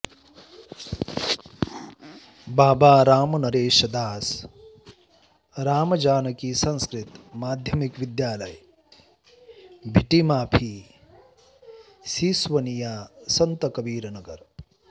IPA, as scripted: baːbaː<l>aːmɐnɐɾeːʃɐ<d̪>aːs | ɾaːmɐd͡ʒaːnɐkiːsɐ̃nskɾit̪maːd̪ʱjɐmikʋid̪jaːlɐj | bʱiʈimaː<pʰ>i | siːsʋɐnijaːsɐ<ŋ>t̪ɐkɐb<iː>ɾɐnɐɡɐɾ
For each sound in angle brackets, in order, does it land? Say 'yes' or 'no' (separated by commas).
no, yes, yes, no, yes